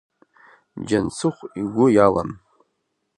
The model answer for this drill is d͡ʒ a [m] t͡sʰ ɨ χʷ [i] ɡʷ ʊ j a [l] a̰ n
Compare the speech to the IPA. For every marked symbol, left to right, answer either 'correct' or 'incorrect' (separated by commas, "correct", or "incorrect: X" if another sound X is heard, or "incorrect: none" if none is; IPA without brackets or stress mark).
incorrect: n, correct, correct